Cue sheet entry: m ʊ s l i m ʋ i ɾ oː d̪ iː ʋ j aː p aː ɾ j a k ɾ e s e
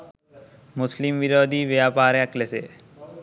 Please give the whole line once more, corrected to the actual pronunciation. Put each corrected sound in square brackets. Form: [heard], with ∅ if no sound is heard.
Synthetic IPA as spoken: m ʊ s l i m ʋ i ɾ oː d̪ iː ʋ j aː p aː ɾ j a k [l] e s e